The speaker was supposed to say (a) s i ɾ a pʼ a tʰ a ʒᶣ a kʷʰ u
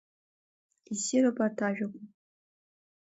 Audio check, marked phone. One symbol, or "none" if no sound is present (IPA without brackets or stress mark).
i